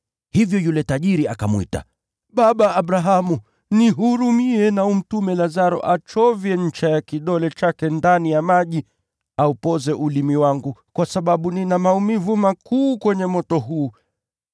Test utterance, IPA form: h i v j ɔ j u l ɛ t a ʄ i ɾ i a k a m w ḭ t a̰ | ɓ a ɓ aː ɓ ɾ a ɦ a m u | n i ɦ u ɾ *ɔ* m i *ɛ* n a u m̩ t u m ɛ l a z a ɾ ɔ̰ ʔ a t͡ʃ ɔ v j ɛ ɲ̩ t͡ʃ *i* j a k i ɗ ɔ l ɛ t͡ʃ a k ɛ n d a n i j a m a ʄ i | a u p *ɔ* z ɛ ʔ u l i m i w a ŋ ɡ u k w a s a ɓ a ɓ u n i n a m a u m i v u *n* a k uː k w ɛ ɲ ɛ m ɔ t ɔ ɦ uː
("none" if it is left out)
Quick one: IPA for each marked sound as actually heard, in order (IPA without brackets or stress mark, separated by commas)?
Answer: u, ɛ, a, ɔ, m